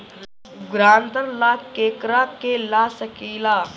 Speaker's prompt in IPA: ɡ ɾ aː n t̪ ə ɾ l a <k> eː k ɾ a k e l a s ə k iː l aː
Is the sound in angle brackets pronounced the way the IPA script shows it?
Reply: yes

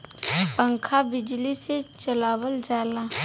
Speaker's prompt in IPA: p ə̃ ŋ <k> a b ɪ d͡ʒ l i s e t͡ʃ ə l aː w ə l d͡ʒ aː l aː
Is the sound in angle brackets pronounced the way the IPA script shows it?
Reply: no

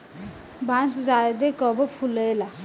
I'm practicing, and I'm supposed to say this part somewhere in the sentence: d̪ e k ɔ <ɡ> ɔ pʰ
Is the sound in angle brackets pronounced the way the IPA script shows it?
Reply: no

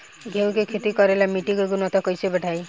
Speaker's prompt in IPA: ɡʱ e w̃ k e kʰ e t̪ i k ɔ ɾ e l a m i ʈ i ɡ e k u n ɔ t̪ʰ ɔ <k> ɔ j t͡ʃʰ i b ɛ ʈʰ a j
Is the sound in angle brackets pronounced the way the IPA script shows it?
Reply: yes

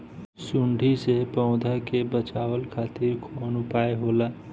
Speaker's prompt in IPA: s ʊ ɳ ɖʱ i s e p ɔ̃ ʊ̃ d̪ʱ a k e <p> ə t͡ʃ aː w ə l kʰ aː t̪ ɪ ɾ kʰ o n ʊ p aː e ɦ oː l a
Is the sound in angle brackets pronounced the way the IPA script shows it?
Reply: no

